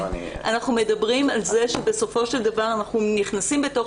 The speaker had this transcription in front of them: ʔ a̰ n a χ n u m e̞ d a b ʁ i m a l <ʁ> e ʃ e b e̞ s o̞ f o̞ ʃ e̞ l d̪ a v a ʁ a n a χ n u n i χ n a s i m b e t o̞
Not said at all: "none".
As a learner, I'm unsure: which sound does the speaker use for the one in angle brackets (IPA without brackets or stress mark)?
z